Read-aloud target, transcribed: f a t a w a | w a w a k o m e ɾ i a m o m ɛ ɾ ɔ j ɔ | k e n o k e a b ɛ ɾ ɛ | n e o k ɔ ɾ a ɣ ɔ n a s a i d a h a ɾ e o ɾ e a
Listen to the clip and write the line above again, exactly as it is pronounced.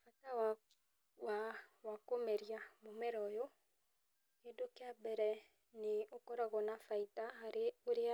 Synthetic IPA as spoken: f a t a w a | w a w a k o m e ɾ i a m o m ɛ ɾ ɔ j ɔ | k e d o k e a b ɛ ɾ ɛ | n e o k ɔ ɾ a ɣ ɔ n a f a i t a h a ɾ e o ɾ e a